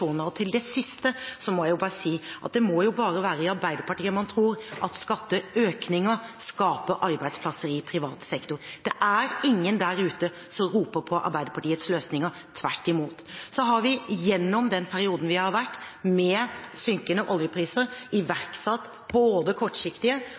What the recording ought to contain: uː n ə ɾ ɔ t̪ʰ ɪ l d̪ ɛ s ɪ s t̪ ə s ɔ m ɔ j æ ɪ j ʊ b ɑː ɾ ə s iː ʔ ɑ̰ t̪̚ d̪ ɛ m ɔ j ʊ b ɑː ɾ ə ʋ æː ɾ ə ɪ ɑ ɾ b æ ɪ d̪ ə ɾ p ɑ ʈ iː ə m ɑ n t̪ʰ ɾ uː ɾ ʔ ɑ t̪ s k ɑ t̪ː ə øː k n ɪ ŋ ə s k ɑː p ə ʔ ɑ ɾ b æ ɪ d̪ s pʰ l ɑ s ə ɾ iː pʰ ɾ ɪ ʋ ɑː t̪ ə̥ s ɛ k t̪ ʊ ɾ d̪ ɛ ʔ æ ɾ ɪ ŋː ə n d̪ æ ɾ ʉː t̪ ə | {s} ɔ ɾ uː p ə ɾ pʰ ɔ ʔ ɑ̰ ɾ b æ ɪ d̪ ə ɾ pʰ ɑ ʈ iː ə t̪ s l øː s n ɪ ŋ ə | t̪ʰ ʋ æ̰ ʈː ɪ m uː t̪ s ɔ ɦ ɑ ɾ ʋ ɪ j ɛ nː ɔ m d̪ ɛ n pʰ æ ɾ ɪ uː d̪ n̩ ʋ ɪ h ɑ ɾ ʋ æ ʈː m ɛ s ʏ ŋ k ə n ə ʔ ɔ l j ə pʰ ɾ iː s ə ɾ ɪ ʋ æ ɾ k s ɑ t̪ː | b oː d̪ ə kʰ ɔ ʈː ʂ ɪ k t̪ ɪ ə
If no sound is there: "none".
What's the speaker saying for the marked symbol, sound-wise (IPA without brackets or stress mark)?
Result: s